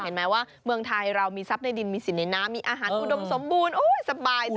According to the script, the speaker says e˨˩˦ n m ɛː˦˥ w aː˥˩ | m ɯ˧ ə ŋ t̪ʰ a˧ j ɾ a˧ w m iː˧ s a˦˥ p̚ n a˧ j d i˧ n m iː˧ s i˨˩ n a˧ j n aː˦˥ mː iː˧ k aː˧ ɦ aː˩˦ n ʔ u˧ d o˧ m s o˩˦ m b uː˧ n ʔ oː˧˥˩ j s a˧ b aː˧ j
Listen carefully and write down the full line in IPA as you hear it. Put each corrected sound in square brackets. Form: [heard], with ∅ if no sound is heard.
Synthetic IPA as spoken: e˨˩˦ n m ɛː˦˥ w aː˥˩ | m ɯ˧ ə ŋ t̪ʰ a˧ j ɾ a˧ w m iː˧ s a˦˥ p̚ n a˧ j d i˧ n m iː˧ s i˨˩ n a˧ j n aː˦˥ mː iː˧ [ʔ] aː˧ ɦ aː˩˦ n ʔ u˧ d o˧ m s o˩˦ m b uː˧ n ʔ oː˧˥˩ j s a˧ b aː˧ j